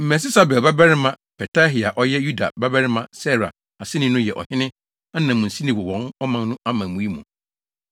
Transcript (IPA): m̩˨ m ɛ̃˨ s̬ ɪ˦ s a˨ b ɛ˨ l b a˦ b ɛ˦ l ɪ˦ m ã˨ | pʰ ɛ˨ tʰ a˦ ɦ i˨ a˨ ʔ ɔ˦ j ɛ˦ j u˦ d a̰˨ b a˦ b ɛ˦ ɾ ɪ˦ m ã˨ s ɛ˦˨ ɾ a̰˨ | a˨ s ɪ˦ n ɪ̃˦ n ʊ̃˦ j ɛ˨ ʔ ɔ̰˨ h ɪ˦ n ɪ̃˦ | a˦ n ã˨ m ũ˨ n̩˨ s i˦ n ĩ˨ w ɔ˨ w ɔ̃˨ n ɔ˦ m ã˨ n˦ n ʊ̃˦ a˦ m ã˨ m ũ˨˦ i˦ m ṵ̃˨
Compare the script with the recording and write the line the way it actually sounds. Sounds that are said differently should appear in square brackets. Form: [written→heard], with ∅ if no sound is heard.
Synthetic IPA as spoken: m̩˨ m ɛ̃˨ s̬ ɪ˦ s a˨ b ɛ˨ l b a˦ b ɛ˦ [l→ɾ] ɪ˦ m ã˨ | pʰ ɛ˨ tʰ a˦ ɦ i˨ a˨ ʔ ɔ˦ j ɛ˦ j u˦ d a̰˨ b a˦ b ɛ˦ ɾ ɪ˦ m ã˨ s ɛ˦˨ ɾ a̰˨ | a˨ s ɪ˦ n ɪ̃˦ n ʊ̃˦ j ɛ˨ ʔ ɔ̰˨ h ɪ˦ n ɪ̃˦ | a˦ n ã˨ m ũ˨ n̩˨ s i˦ n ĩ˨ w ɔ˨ w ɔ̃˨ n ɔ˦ m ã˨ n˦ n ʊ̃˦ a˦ m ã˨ m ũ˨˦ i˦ m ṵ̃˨